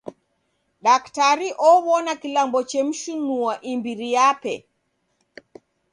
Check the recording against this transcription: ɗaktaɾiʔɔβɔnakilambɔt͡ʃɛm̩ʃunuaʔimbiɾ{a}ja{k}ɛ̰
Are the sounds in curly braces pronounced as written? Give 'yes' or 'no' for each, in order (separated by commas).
no, no